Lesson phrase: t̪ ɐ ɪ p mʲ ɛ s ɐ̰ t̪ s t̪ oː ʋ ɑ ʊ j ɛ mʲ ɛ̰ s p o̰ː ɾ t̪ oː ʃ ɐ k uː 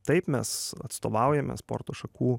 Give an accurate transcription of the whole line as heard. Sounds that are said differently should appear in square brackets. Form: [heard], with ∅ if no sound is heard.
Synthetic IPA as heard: t̪ ɐ ɪ p mʲ ɛ s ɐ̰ t̪ s t̪ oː ʋ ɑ ʊ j ɛ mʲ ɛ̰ s p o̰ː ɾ t̪ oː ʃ ɐ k uː

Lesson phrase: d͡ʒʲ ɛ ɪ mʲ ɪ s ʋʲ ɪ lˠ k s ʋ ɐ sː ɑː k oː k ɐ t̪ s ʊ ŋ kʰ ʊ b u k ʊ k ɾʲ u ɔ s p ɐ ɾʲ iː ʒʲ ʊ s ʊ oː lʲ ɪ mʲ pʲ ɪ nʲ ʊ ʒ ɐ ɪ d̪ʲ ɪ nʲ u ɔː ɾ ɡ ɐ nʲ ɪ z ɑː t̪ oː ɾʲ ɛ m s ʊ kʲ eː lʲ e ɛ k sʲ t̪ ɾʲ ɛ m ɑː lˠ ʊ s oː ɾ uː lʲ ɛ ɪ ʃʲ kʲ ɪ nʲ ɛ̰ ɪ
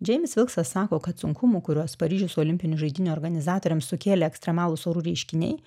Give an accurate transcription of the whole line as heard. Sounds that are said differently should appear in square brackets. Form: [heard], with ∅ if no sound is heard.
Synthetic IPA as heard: d͡ʒʲ ɛ ɪ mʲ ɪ s ʋʲ ɪ lˠ k s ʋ ɐ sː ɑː k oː k ɐ t̪ s ʊ ŋ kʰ ʊ [m] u k ʊ [∅] ɾʲ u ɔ s p ɐ ɾʲ iː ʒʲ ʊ s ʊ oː lʲ ɪ mʲ pʲ ɪ nʲ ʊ ʒ ɐ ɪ d̪ʲ ɪ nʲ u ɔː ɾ ɡ ɐ nʲ ɪ z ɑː t̪ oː ɾʲ ɛ m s ʊ kʲ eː lʲ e ɛ k sʲ t̪ ɾʲ ɛ m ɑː lˠ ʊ s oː ɾ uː [ɾʲ] ɛ ɪ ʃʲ kʲ ɪ nʲ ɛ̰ ɪ

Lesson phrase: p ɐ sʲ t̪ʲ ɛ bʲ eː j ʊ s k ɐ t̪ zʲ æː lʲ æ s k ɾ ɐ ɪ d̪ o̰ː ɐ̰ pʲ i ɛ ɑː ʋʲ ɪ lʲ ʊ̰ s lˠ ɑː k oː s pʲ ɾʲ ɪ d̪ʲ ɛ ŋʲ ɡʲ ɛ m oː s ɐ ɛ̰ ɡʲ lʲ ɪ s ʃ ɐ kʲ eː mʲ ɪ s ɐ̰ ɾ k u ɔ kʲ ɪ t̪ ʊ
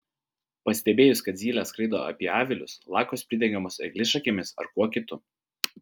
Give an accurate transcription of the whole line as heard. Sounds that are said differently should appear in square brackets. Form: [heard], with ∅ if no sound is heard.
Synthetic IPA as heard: p ɐ sʲ t̪ʲ ɛ bʲ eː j ʊ s k ɐ t̪ zʲ [iː] lʲ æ s k ɾ ɐ ɪ d̪ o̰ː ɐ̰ pʲ i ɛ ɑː ʋʲ ɪ lʲ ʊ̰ s lˠ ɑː k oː s pʲ ɾʲ ɪ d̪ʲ ɛ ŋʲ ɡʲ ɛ m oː s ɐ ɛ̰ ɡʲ lʲ ɪ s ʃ ɐ kʲ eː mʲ ɪ s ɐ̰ ɾ k u ɔ kʲ ɪ t̪ ʊ

